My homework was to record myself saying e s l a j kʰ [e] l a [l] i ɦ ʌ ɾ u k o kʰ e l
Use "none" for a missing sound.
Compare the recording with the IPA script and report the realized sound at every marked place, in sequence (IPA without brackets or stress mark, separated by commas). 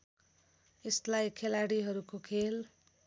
e, ɽ